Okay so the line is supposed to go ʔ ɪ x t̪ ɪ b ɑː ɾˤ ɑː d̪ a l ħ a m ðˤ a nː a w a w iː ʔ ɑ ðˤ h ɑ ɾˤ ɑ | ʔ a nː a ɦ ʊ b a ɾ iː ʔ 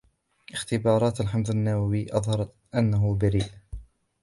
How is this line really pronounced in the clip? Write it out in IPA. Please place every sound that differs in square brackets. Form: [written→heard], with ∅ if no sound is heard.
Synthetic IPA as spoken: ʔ ɪ x t̪ ɪ b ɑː ɾˤ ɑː [d̪→t̪] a l ħ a m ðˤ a nː a w a w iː ʔ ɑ ðˤ h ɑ ɾˤ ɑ | ʔ a nː a ɦ ʊ b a ɾ iː ʔ